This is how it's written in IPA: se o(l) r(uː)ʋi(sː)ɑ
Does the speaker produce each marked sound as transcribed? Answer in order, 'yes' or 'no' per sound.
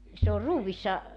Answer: no, yes, yes

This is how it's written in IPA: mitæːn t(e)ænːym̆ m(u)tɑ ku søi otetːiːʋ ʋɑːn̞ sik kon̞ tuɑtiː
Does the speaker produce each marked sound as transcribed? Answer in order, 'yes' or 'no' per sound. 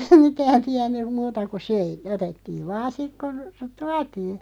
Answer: no, no

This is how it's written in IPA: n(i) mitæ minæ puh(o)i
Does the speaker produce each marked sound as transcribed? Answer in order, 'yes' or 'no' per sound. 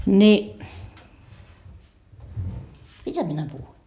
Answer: yes, no

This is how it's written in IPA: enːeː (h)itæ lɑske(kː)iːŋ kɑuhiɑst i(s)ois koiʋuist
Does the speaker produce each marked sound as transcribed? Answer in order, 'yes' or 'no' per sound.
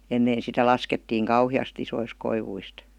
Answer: no, no, yes

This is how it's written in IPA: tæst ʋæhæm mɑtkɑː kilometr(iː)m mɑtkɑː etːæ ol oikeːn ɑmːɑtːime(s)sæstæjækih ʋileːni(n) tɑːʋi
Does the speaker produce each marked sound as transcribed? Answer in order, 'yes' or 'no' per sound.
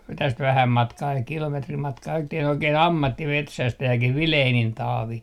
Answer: no, no, yes

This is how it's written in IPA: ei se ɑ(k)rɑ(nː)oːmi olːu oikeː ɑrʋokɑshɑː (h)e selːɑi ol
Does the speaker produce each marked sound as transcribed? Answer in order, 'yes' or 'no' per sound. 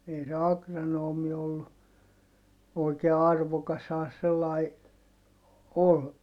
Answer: yes, no, no

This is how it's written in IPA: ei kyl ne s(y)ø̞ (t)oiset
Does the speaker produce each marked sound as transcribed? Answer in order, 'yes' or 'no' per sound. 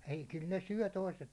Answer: yes, yes

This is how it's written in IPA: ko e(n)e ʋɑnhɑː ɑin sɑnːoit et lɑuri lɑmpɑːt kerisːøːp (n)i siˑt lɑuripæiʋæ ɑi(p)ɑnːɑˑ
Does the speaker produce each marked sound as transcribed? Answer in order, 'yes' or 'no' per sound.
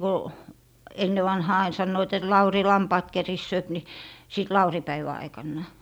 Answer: no, yes, no

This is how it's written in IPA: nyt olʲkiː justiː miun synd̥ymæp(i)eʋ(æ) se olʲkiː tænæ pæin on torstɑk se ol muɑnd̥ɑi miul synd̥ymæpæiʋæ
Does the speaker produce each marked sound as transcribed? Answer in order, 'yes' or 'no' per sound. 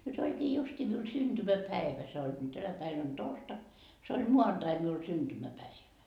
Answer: no, yes

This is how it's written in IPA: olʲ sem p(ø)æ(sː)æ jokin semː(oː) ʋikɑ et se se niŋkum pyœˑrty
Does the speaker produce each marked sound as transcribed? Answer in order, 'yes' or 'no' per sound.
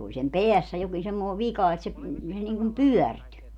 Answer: no, yes, yes

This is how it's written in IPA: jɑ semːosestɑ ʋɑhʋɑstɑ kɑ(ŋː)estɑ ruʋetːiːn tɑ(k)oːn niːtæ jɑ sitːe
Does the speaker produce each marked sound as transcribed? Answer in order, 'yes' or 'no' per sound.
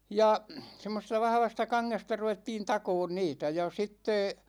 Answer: yes, yes

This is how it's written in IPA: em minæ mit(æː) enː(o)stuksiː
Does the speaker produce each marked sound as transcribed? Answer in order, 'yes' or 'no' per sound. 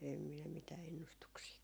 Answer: yes, no

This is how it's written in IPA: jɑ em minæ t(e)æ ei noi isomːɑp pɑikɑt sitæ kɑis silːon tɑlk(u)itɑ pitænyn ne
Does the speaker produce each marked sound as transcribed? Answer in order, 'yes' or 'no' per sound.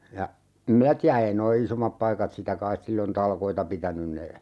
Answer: no, no

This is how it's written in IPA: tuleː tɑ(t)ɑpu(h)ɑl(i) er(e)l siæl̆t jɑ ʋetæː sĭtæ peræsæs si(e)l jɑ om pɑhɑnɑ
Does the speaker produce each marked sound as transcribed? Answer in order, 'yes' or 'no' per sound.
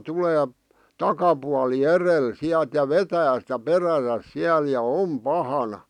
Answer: no, no, yes, yes, no

